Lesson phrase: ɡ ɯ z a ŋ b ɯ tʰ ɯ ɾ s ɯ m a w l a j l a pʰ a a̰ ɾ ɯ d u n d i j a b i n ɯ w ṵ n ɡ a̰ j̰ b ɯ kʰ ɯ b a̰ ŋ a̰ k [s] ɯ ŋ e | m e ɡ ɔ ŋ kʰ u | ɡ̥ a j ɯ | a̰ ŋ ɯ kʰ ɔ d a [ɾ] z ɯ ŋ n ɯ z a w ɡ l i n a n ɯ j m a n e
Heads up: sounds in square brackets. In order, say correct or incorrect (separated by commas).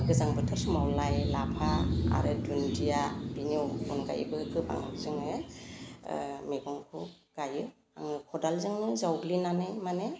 incorrect, incorrect